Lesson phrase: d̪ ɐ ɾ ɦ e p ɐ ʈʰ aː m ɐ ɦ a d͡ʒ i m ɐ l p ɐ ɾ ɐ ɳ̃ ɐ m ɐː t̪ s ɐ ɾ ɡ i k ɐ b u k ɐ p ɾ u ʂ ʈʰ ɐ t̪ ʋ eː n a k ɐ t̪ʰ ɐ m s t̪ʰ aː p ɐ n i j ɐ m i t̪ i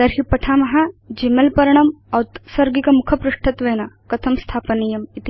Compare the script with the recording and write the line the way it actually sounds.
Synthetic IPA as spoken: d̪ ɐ ɾ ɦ i p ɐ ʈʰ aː m ɐ ɦ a d͡ʒ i m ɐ l p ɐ ɾ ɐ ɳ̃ ɐ m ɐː t̪ s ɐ ɾ ɡ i k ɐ m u kʰ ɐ p ɾ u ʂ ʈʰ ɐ t̪ ʋ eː n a k ɐ t̪ʰ ɐ m s t̪ʰ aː p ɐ n i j ɐ m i t̪ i